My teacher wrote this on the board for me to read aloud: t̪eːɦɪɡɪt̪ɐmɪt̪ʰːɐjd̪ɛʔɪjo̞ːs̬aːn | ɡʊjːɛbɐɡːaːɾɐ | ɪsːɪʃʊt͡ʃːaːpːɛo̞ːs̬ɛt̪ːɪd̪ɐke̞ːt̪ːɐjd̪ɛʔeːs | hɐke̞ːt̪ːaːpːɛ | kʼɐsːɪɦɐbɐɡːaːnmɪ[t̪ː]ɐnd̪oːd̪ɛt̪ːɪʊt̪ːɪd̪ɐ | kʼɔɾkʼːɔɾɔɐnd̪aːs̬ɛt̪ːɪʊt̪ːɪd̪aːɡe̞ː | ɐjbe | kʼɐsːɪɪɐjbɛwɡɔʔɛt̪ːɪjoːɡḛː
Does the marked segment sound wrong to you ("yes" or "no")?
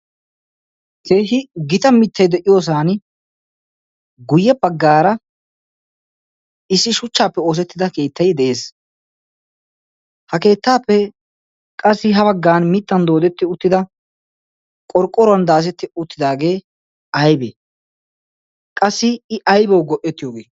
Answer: no